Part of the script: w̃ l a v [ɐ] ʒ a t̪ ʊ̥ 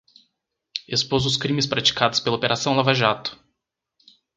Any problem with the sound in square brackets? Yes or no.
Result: yes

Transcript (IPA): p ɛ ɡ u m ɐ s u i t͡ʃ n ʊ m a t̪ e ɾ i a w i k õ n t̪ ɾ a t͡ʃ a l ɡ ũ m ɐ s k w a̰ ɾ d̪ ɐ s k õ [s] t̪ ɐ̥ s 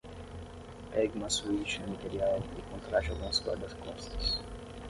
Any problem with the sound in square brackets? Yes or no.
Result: no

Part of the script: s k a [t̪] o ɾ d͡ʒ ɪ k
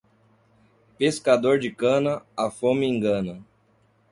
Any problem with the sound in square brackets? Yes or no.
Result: yes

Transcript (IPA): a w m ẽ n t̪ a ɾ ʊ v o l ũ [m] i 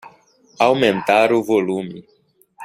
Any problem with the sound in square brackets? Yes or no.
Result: no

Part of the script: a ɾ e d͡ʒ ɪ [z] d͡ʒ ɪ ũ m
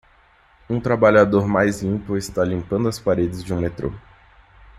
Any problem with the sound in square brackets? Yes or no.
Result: no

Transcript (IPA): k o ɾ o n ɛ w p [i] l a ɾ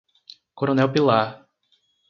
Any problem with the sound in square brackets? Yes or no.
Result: no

